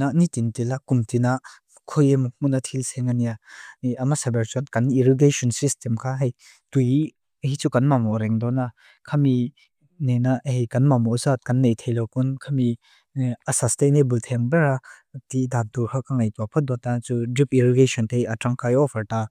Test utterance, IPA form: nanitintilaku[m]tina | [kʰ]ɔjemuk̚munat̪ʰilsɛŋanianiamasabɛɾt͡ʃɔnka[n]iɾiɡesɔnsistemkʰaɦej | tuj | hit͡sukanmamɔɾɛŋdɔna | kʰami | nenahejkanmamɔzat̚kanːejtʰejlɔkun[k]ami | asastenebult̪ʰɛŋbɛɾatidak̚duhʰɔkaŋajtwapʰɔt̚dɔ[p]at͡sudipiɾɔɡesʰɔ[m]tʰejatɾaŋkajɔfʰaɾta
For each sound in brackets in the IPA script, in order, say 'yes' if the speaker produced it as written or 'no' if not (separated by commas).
yes, yes, yes, no, no, no